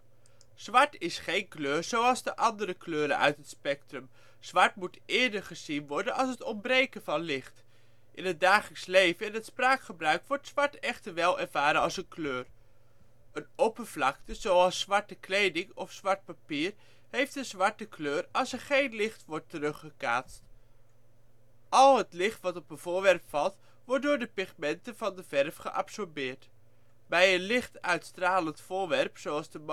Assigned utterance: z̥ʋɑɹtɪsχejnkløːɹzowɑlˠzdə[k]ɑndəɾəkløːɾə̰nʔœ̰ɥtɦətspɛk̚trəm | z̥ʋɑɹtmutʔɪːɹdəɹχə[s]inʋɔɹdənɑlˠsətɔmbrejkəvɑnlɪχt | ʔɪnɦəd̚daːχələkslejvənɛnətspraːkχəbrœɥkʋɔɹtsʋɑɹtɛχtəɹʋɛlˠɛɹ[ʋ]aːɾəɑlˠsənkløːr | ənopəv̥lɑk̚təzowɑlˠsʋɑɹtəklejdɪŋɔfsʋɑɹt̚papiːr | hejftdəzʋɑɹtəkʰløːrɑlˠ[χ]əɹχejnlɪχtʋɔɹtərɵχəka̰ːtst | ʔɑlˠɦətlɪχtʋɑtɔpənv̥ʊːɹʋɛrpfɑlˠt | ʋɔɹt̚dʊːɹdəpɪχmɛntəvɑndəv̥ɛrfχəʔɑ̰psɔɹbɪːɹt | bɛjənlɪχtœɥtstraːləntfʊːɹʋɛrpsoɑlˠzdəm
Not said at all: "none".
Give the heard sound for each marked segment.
ʔ, z, v, s

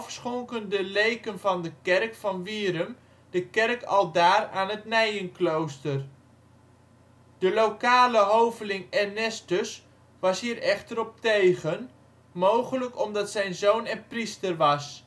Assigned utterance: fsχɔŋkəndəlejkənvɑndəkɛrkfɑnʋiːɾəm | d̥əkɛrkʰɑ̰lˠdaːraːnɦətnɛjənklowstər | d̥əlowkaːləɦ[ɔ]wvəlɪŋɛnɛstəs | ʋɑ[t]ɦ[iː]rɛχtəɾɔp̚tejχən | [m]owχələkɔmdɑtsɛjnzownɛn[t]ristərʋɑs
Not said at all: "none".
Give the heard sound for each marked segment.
o, s, iː, m, p

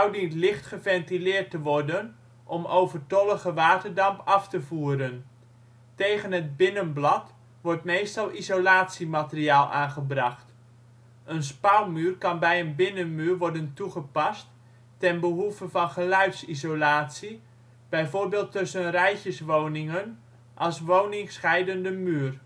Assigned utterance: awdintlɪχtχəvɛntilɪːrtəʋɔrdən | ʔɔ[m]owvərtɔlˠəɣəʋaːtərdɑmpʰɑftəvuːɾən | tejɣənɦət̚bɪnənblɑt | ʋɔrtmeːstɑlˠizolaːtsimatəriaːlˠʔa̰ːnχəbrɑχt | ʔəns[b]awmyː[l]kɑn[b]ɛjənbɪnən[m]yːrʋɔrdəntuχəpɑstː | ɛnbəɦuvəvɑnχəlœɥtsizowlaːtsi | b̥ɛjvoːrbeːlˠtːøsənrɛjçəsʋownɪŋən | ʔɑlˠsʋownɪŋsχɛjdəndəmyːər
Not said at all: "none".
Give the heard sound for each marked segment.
m, p, r, b, m

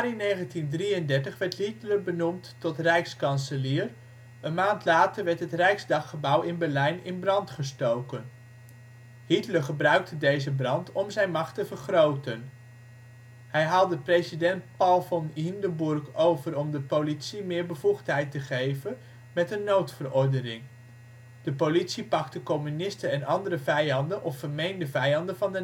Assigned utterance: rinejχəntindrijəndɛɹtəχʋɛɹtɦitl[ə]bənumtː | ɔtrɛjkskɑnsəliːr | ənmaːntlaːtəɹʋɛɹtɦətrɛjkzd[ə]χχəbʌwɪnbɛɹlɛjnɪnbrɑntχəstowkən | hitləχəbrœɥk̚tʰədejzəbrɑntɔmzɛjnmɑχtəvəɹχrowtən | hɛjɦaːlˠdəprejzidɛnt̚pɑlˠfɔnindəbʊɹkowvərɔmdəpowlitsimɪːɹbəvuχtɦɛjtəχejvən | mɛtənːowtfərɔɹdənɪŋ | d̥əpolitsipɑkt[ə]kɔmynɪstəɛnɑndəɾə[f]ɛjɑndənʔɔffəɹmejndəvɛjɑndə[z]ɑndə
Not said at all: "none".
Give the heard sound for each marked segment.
ə, ɑ, ə, v, v

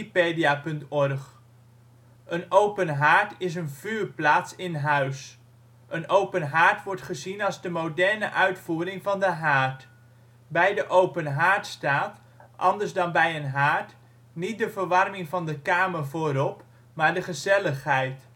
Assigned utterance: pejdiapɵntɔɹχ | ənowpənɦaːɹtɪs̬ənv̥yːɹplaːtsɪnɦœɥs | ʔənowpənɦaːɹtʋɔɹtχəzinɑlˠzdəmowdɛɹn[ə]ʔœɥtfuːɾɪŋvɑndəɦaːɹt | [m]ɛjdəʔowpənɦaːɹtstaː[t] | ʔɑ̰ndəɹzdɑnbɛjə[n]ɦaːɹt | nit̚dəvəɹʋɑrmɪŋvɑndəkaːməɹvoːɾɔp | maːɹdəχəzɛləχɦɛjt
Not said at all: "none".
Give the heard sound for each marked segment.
ə, b, t, n

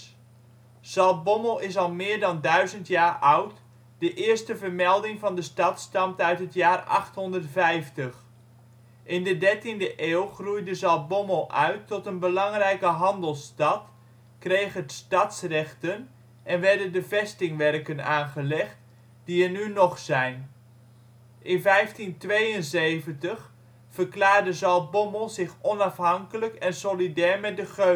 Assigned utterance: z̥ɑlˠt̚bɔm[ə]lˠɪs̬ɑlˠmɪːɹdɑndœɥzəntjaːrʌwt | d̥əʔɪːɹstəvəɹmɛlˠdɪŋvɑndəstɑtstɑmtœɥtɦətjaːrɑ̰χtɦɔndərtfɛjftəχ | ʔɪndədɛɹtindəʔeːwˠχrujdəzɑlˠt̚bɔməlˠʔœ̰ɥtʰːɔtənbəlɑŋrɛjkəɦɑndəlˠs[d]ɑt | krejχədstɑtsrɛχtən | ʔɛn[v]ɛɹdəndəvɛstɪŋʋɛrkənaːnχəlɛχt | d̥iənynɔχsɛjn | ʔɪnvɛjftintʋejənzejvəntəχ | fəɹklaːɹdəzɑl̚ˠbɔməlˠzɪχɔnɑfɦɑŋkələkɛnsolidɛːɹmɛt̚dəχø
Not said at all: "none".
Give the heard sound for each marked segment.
ə, t, ʋ

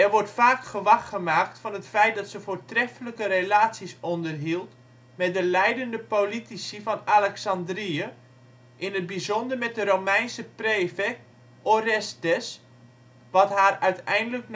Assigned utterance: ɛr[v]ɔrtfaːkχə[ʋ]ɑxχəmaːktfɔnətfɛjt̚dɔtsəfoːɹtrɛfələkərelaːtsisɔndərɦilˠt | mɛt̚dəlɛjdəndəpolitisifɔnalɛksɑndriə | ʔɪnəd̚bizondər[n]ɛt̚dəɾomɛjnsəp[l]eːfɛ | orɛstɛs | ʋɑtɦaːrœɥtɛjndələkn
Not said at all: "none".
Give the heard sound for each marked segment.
ʋ, ʋ, m, r

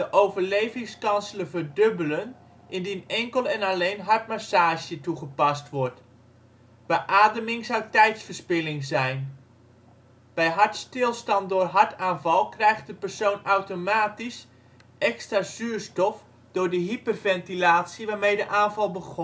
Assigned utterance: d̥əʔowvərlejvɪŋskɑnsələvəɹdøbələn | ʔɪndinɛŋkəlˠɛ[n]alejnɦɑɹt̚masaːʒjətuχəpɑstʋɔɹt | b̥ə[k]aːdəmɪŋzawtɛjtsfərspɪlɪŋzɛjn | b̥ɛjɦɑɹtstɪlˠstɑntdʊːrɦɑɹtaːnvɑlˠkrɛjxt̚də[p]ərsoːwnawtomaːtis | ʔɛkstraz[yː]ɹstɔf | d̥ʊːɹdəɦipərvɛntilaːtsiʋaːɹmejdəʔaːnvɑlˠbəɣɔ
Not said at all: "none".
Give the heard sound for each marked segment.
n, ʔ, p, yː

